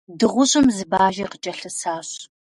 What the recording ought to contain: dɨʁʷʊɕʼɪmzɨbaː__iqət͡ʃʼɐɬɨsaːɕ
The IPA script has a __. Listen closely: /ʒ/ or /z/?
ʒ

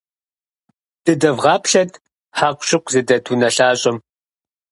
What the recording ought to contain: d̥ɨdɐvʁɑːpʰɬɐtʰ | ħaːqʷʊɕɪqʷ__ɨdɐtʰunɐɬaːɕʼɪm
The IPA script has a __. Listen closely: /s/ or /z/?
z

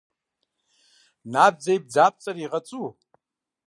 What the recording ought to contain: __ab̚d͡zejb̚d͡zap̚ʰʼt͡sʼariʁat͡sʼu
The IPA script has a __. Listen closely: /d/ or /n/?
n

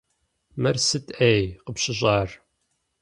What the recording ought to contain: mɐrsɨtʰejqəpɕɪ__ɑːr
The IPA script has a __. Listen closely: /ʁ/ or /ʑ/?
ʑ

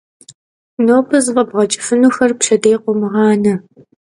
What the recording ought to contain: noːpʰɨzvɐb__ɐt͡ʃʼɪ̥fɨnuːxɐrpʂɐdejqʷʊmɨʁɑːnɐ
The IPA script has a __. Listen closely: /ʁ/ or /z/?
ʁ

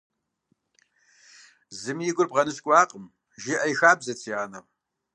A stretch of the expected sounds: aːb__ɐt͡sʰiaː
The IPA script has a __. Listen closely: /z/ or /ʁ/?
z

